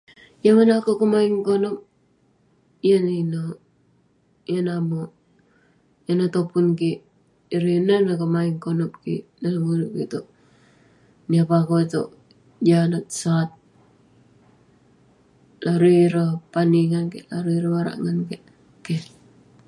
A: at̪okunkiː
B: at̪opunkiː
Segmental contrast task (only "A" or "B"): B